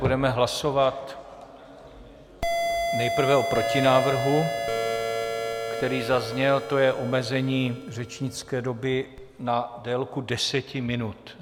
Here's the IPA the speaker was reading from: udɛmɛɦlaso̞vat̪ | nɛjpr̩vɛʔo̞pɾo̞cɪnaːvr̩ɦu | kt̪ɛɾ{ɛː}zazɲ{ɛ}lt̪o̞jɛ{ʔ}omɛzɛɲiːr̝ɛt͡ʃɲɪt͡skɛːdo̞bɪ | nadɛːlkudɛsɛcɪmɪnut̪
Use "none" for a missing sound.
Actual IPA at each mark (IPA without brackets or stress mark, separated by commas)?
iː, ɛ, ʔ